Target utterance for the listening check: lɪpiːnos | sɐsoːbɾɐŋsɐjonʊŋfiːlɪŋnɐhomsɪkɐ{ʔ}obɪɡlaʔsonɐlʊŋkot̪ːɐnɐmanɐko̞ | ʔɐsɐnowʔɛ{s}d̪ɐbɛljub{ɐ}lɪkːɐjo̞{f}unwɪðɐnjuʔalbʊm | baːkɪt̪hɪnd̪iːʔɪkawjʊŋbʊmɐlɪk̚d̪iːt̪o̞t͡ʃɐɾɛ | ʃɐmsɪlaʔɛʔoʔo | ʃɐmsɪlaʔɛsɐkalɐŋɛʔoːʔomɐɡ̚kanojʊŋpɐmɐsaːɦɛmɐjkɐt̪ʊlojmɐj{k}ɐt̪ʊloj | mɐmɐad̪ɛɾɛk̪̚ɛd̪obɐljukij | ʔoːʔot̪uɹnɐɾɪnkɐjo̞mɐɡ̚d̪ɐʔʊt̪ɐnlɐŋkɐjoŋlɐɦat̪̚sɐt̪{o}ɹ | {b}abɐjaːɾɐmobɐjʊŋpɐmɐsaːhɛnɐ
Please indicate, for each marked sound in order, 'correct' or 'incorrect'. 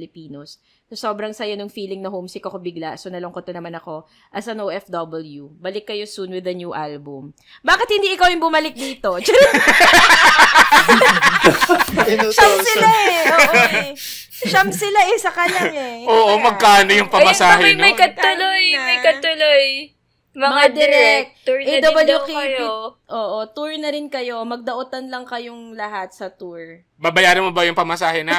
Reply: incorrect: k, incorrect: f, correct, incorrect: s, correct, incorrect: u, correct

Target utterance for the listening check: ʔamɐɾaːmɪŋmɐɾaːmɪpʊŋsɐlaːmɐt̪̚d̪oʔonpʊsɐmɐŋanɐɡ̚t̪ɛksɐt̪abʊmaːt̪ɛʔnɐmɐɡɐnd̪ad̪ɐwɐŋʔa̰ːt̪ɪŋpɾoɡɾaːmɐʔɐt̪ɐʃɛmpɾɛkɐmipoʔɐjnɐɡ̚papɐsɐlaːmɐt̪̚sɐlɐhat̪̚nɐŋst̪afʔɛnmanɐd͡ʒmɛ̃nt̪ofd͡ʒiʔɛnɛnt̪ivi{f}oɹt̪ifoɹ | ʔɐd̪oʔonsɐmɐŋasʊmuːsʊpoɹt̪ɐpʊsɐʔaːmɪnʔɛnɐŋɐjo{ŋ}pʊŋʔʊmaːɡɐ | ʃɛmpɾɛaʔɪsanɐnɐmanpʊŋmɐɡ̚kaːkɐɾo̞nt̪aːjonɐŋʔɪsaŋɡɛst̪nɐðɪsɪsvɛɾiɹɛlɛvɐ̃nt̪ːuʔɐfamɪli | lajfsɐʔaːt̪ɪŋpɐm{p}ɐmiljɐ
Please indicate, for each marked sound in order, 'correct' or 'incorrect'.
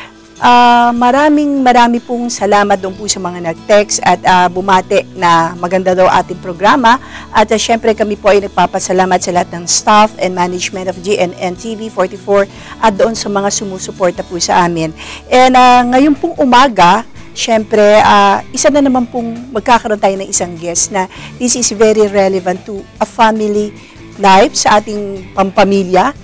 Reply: correct, incorrect: n, correct

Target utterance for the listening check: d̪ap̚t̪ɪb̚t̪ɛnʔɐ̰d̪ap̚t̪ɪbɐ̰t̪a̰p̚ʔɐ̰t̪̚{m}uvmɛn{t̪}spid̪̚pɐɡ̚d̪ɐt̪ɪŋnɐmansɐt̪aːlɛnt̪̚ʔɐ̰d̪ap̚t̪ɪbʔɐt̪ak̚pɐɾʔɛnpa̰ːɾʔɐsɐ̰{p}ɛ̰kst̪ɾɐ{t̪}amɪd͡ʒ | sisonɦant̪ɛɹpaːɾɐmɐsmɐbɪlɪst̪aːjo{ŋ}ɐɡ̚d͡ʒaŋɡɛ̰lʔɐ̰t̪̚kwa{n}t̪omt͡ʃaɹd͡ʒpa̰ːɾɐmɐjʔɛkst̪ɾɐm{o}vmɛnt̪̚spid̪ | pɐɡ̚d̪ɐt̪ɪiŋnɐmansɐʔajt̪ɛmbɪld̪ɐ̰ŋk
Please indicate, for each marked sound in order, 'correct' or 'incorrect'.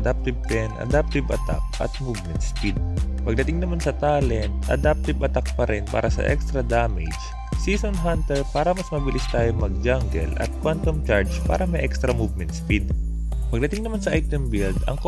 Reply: correct, correct, incorrect: ʔ, incorrect: d̪, incorrect: m, correct, incorrect: u

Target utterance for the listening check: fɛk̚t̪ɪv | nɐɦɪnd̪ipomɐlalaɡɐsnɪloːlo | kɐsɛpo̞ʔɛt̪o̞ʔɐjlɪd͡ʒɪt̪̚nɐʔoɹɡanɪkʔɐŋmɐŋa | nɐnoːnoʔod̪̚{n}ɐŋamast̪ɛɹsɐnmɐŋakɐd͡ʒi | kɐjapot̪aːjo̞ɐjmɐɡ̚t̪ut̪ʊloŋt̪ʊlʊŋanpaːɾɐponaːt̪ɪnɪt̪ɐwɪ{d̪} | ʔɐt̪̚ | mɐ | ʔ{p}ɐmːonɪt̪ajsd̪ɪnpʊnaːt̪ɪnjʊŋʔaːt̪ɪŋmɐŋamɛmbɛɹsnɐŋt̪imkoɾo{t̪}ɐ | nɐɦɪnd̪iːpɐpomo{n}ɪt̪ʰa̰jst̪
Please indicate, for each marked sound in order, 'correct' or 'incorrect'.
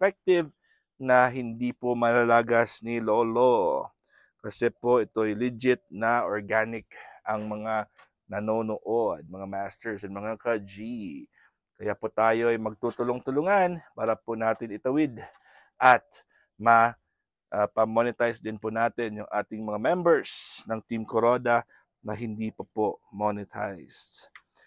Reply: incorrect: m, correct, correct, incorrect: d̪, correct

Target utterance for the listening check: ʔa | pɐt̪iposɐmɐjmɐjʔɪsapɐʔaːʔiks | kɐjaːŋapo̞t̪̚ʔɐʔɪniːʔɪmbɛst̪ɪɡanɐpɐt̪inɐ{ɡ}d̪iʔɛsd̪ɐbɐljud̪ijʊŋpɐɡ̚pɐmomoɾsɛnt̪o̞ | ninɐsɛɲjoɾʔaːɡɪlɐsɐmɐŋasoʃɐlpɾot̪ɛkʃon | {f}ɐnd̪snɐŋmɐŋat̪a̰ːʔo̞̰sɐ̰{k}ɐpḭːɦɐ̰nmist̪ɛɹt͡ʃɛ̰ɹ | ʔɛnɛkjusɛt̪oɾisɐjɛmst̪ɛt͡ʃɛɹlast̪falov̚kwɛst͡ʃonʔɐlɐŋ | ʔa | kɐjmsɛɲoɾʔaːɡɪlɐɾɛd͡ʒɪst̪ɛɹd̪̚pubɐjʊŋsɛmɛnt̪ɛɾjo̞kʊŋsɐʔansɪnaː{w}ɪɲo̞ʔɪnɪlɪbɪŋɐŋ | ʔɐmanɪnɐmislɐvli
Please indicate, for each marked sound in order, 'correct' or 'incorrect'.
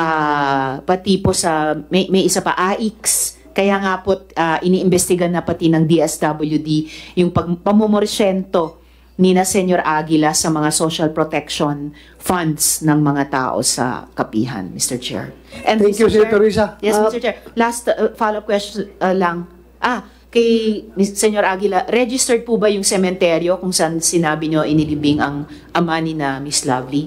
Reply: incorrect: ŋ, correct, correct, incorrect: b

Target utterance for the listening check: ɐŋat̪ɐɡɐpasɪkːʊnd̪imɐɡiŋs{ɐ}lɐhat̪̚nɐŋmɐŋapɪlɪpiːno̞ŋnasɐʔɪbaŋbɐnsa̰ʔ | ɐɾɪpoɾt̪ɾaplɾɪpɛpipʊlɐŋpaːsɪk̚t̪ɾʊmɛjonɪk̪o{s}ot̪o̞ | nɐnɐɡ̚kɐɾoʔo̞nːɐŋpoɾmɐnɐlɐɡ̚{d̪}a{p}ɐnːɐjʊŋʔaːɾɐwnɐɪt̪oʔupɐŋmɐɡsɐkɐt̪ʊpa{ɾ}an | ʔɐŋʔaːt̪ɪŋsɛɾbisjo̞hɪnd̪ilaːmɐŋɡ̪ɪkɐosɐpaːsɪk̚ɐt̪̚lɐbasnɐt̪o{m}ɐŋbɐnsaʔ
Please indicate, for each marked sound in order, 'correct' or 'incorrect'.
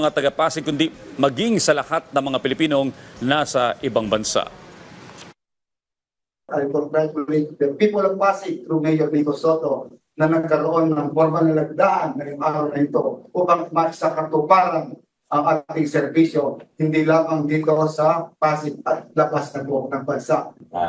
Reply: correct, correct, correct, incorrect: ʔ, correct, incorrect: n

